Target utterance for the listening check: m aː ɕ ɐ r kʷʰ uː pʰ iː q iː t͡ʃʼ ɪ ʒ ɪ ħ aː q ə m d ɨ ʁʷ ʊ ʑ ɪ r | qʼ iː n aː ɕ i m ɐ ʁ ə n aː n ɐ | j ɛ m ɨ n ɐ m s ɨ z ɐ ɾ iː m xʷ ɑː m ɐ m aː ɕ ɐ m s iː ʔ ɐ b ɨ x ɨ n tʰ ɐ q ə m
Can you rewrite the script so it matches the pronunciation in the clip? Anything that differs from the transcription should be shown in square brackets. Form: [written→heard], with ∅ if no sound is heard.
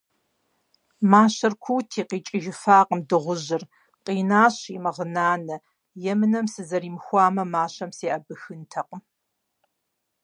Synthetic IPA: m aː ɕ ɐ r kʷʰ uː [pʰ→tʰ] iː q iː t͡ʃʼ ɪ ʒ ɪ [ħ→f] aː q ə m d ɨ ʁʷ ʊ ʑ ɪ r | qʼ iː n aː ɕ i m ɐ ʁ ə n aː n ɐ | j ɛ m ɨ n ɐ m s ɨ z ɐ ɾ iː m xʷ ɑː m ɐ m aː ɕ ɐ m s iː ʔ ɐ b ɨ x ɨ n tʰ ɐ q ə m